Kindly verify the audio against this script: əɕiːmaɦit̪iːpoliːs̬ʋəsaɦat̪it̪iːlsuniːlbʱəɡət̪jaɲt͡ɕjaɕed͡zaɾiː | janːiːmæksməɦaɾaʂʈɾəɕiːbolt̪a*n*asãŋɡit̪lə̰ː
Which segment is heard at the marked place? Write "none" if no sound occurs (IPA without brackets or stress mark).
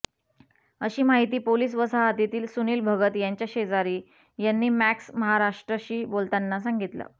nː